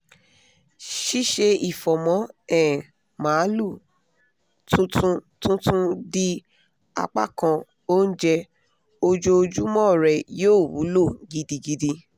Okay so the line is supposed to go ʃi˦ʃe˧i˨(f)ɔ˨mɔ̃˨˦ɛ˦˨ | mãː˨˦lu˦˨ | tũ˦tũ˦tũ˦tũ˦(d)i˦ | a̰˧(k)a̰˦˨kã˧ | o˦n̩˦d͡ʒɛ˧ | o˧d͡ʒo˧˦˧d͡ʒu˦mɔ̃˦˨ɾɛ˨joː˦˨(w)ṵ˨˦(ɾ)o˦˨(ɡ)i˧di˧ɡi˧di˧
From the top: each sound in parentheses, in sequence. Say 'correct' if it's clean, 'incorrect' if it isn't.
correct, correct, incorrect: k͡p, correct, incorrect: l, correct

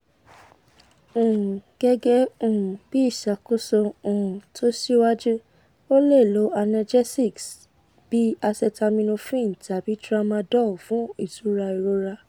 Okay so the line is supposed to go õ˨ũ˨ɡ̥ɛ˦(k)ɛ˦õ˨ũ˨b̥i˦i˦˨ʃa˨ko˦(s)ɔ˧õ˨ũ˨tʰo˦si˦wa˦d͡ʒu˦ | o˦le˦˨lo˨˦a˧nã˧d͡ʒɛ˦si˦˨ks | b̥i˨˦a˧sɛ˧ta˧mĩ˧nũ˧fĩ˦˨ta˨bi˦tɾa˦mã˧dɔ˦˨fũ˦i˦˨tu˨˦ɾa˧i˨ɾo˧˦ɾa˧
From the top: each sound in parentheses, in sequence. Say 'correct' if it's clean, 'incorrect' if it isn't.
incorrect: ɡ, correct

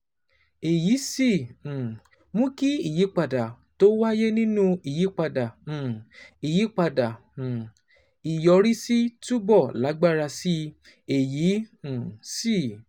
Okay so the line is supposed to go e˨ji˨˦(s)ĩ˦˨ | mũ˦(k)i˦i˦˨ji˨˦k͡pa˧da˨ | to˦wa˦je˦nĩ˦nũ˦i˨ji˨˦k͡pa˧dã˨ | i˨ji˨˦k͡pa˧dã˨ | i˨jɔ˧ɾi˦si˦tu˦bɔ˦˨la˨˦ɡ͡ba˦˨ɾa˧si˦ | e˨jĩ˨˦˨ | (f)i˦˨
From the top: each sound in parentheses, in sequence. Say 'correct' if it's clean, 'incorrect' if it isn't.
correct, correct, incorrect: s

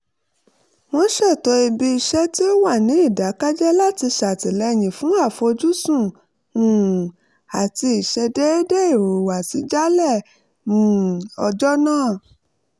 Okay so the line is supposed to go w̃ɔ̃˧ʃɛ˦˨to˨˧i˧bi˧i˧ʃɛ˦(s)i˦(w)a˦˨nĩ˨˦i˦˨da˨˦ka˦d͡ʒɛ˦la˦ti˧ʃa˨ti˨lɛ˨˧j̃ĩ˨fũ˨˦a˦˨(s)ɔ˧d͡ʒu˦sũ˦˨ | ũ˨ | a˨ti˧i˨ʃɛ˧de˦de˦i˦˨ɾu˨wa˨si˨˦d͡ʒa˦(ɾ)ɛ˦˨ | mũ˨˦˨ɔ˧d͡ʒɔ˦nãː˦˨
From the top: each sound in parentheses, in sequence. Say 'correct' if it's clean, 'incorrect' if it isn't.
incorrect: t, correct, incorrect: f, incorrect: l

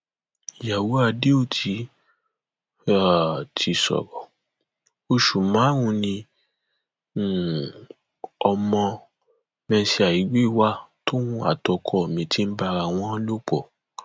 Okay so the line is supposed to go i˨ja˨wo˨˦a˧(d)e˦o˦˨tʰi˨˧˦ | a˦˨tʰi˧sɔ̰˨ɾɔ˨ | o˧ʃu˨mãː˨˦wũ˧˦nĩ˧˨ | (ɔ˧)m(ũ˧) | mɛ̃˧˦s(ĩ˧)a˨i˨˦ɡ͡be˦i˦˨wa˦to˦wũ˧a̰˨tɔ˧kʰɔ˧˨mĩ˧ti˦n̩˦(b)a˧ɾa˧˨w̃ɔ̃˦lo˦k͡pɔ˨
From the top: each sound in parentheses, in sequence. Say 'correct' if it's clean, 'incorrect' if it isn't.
correct, correct, incorrect: ɔ̃˧, incorrect: i˧, correct

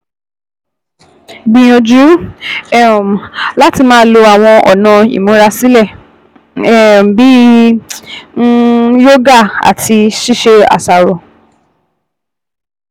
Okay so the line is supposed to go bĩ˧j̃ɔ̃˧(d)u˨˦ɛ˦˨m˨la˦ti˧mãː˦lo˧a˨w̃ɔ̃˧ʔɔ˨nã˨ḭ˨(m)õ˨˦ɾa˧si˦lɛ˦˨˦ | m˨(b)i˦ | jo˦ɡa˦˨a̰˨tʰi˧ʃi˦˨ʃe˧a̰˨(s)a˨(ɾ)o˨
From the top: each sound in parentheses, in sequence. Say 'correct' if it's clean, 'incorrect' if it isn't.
incorrect: d͡ʒ, correct, correct, correct, correct

